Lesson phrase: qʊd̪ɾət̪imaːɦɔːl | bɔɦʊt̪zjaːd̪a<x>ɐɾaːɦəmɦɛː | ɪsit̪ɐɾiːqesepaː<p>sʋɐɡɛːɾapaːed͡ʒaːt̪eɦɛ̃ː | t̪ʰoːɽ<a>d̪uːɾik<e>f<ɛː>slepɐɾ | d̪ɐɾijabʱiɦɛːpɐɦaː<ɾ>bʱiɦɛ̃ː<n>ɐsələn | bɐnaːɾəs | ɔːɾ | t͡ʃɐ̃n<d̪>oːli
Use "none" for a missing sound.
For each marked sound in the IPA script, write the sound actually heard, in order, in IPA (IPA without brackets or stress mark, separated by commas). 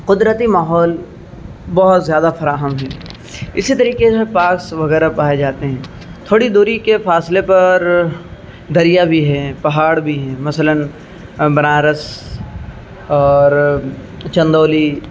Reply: f, k, i, e, aː, ɽ, m, d̪